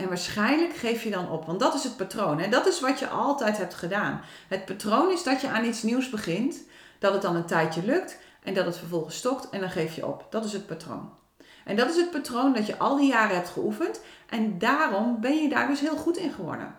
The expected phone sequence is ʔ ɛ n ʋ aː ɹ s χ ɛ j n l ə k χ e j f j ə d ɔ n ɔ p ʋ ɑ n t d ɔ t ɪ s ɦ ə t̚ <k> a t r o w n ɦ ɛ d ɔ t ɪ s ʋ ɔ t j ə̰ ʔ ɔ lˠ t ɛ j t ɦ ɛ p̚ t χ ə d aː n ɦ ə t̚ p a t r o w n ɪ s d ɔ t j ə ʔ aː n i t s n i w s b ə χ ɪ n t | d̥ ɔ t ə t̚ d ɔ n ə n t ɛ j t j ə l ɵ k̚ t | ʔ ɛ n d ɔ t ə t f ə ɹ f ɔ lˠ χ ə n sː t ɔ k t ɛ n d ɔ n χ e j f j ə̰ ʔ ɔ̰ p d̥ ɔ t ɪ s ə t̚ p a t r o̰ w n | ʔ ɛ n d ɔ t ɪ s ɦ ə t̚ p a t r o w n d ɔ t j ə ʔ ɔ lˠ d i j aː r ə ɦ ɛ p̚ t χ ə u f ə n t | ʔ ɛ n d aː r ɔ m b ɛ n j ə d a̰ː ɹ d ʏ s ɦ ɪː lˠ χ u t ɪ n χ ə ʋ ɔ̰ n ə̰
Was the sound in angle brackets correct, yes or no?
no